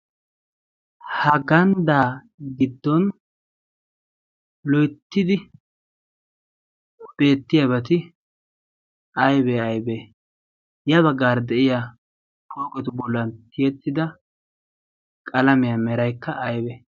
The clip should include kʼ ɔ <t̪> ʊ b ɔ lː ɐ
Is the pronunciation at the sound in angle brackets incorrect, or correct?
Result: correct